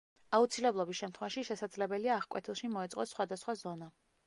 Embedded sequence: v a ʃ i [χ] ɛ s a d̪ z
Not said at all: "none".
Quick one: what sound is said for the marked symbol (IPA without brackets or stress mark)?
ʃ